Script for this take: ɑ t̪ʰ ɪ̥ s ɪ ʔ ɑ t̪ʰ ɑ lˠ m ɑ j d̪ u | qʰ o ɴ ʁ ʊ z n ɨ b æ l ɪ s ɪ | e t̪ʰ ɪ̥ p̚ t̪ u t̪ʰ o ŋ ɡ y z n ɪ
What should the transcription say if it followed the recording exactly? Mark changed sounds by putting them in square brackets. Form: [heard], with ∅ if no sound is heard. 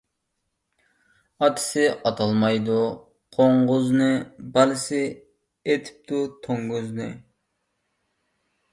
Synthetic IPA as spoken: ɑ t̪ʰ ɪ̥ s ɪ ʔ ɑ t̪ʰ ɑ lˠ m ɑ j d̪ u | qʰ o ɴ ʁ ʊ z n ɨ b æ l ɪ s ɪ | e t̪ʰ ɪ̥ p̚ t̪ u t̪ʰ o ŋ ɡ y z n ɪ